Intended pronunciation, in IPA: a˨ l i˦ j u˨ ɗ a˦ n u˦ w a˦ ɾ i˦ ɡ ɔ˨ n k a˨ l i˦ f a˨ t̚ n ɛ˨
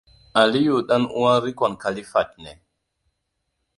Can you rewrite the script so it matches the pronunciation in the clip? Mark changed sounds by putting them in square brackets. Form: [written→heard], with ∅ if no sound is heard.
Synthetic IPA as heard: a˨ l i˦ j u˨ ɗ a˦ n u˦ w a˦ ɾ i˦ [ɡ→k] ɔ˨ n k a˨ l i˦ f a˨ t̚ n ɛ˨